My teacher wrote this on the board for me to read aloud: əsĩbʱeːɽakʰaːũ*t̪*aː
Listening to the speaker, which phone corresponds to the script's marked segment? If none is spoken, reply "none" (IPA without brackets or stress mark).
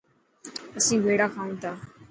t̪